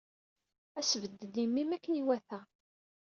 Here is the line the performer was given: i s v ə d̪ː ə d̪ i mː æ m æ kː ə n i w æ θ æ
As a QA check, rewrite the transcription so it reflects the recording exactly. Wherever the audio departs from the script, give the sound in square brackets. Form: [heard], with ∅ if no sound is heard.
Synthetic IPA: [æ] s v ə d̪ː ə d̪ i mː [i] m æ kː ə n i w æ θ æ